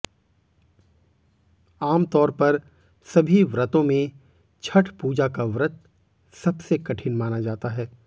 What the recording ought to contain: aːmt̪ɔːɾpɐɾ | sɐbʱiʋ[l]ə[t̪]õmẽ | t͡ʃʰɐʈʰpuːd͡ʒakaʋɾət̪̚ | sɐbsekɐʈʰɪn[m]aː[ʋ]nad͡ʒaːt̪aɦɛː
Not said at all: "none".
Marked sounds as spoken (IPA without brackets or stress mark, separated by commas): ɾ, t̪, m, none